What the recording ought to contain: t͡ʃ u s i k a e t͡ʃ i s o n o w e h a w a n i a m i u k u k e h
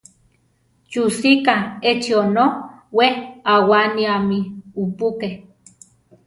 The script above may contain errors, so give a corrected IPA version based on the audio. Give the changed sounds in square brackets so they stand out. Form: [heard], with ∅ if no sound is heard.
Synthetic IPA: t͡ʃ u s i k a e t͡ʃ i [∅] o n o w e h a w a n i a m i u [p] u k e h